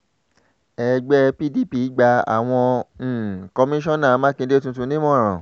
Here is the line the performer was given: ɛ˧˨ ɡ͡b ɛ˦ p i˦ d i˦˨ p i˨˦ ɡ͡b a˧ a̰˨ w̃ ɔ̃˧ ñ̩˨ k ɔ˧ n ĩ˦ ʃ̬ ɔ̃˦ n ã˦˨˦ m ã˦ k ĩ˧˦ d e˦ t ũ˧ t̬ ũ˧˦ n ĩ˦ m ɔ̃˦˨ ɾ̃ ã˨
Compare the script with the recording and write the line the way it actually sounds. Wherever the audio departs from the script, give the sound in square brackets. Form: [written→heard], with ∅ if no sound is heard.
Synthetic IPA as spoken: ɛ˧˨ ɡ͡b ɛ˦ p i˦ d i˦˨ p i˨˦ ɡ͡b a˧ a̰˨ w̃ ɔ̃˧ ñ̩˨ k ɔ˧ [n→m] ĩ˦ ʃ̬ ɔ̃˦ n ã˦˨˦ m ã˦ k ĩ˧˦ d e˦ t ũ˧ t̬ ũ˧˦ n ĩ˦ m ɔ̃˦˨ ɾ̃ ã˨